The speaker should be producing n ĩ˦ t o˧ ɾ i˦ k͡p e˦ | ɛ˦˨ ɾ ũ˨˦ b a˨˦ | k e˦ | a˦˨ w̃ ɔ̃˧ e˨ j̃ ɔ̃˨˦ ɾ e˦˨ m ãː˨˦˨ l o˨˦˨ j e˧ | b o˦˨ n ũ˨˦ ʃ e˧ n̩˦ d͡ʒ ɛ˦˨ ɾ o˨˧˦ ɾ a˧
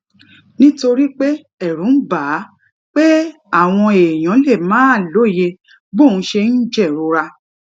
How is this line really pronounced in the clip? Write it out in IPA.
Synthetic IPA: n ĩ˦ t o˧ ɾ i˦ k͡p e˦ | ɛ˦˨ ɾ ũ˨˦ b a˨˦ | k͡p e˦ | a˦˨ w̃ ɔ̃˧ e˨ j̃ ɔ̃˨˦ l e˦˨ m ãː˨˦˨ l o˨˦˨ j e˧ | b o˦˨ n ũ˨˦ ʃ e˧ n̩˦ d͡ʒ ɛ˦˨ ɾ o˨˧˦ ɾ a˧